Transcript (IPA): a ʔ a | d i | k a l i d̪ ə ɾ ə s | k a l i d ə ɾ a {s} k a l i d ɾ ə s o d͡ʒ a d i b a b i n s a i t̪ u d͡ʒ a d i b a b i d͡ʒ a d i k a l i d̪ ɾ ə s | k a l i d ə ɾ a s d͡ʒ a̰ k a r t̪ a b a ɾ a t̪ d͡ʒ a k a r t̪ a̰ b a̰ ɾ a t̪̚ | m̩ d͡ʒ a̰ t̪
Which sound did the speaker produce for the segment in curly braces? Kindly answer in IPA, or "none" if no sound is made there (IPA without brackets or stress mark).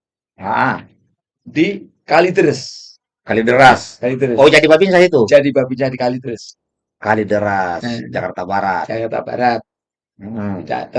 s